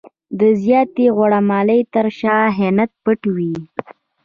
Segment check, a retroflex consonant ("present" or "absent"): present